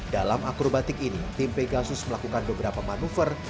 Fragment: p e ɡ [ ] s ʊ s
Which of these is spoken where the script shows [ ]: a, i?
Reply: a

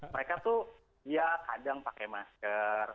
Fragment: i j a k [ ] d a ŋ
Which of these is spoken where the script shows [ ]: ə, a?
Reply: a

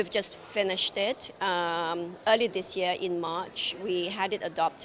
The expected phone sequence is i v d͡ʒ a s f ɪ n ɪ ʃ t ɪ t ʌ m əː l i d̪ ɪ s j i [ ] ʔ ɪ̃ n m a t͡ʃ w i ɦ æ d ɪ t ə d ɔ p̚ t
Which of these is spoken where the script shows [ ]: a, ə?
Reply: ə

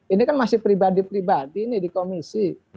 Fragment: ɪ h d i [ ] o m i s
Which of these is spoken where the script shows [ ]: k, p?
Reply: k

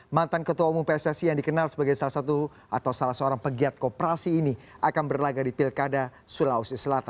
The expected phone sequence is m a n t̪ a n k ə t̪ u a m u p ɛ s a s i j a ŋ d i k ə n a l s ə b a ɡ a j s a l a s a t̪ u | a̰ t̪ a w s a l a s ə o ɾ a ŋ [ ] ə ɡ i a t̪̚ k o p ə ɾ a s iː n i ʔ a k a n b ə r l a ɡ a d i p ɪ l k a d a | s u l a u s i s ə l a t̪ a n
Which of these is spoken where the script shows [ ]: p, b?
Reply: p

